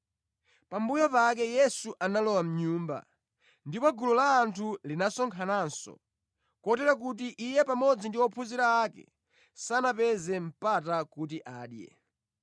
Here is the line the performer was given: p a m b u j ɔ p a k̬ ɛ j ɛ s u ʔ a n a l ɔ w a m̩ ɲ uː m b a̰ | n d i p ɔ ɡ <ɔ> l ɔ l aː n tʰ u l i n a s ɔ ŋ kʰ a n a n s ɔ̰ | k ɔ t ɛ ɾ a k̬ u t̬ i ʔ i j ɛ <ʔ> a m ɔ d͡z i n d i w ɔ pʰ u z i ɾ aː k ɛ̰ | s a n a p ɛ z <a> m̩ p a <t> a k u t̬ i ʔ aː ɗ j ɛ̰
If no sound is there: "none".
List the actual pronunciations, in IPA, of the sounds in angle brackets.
u, p, ɛ, t

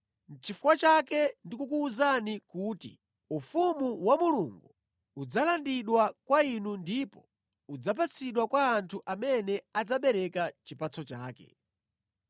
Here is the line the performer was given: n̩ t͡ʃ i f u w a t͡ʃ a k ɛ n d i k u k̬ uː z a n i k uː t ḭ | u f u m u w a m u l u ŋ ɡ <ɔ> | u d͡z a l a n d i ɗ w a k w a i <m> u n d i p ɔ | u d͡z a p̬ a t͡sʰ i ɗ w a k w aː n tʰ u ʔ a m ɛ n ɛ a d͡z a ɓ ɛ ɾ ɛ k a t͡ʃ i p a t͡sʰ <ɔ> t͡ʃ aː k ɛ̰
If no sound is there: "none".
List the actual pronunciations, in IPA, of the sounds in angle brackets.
u, n, ɔ

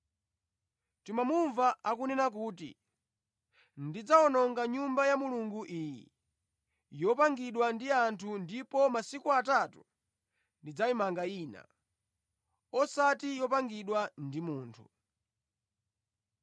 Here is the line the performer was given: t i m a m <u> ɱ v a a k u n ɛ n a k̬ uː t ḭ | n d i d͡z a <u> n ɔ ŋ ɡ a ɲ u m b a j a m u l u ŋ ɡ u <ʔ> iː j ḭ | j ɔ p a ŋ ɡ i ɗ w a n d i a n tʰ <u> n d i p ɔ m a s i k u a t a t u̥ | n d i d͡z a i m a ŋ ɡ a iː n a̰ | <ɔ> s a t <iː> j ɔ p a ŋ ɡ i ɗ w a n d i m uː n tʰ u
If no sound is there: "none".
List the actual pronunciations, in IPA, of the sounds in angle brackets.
u, ɔ, ʔ, u, ɔ, i

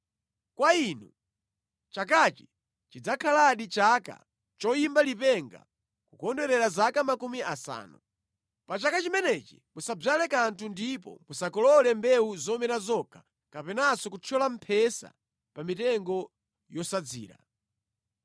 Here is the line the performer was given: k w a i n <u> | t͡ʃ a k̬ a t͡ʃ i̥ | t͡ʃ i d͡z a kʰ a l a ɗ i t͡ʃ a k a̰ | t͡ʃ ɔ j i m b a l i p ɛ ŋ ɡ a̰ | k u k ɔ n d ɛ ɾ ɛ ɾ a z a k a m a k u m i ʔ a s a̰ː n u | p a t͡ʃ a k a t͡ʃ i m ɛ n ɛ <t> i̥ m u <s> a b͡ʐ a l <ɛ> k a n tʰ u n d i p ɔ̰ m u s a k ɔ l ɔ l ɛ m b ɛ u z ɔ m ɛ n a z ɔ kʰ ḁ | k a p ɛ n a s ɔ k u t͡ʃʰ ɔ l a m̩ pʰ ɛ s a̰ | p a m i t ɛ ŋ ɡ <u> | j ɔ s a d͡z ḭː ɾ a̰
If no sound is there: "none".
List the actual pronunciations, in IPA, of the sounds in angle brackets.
u, t͡ʃ, s, ɛ, ɔ

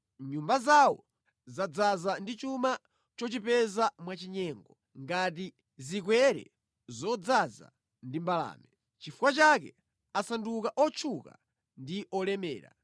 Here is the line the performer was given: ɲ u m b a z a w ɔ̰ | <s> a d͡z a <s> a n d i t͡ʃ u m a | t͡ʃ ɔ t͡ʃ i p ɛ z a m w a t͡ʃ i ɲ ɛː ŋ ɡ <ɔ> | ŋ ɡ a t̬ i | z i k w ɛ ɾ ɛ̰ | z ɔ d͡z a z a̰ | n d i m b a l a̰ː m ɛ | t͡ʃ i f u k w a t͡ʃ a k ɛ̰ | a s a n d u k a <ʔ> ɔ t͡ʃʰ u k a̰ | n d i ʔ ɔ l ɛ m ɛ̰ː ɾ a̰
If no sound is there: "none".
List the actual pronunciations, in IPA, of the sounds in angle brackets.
z, z, ɔ, ʔ

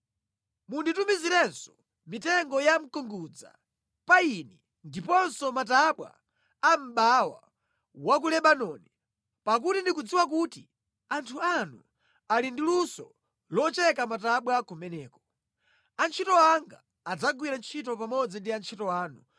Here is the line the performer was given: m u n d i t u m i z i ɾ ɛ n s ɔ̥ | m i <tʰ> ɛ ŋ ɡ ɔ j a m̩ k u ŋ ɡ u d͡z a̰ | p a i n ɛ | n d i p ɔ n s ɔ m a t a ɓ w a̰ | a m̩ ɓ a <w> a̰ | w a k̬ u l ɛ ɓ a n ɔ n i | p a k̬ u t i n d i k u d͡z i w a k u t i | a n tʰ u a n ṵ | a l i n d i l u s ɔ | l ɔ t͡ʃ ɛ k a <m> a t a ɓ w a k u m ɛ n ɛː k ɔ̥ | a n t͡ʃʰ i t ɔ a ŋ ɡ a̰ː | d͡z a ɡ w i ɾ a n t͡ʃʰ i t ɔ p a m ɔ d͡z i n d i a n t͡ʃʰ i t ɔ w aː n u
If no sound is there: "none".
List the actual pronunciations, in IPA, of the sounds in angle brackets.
t, w, m

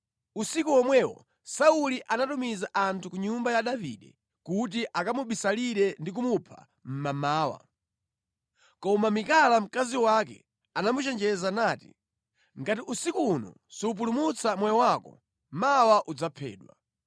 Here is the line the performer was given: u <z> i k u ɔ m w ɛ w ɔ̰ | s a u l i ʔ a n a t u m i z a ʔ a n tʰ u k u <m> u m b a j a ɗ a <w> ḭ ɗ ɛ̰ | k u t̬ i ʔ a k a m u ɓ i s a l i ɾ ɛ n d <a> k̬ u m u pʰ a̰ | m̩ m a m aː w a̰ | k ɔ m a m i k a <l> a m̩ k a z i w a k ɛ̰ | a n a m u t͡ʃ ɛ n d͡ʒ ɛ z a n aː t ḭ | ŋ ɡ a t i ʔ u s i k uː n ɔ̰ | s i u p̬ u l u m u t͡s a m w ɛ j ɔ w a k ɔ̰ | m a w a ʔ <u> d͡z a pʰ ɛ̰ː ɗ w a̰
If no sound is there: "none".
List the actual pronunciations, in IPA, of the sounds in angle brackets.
s, ɲ, v, i, l, u

